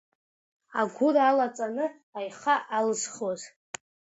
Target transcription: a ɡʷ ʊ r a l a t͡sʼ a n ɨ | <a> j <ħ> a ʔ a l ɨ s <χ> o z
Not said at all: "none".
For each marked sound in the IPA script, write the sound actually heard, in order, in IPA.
a, χ, χ

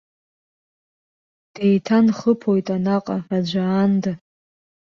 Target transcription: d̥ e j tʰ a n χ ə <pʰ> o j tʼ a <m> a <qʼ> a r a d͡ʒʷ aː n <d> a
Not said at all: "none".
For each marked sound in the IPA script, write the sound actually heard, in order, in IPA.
pʰ, n, qʼ, d

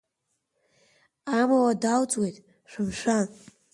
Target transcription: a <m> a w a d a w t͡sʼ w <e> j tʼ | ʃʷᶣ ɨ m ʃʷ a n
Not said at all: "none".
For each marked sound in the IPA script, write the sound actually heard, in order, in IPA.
m, e

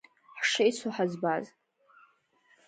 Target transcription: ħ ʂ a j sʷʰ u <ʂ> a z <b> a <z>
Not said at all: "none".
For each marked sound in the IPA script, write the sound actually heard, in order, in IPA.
ħ, b, z

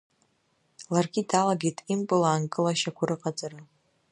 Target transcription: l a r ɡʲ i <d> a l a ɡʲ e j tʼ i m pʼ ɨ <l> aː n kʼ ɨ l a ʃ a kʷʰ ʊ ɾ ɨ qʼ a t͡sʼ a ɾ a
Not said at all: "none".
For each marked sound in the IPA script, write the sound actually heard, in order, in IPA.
d, l

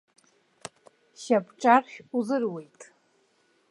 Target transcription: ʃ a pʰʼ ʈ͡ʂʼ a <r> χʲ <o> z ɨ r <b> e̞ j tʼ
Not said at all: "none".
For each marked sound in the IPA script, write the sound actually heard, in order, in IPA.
r, u, w

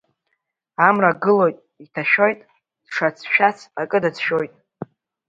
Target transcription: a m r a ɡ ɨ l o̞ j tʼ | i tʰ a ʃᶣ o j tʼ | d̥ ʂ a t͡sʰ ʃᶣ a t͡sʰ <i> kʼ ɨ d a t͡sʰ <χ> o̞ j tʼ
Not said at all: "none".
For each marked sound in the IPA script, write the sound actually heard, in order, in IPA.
a, ʃ

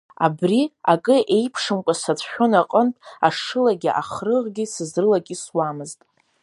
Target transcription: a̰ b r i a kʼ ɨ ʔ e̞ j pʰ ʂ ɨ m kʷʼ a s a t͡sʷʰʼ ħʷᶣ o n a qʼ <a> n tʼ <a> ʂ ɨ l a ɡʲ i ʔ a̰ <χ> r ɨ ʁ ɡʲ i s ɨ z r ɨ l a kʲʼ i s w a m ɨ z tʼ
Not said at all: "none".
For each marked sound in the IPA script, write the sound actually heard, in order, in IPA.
ə, a, χ

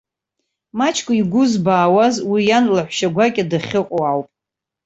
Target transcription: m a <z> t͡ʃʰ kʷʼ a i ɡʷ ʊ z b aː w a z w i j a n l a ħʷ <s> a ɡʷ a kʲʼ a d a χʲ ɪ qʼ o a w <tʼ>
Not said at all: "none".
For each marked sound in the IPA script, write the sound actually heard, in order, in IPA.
none, ʃ, pʼ

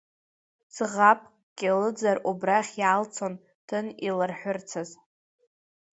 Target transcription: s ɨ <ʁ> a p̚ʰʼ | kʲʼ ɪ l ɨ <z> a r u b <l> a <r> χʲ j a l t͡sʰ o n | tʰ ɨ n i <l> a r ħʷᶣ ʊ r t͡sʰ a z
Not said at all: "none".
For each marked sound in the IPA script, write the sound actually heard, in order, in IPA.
ʁ, d͡z, r, none, l

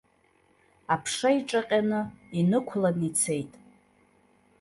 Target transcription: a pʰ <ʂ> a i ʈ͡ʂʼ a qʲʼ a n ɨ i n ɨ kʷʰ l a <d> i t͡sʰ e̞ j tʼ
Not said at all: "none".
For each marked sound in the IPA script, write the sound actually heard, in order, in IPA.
ʂ, n

